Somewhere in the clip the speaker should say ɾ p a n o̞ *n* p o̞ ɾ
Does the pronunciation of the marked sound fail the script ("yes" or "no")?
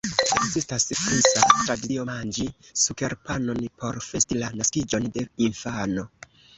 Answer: no